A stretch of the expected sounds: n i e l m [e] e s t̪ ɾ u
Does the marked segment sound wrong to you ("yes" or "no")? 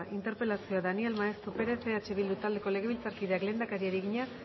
yes